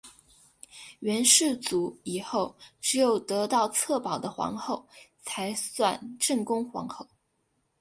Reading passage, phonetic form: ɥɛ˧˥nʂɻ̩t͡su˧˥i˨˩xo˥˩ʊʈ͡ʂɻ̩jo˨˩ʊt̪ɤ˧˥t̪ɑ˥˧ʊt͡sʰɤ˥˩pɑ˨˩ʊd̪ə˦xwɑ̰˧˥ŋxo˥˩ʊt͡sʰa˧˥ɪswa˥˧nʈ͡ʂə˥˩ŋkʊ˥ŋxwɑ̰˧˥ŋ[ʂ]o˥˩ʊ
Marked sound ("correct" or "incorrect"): incorrect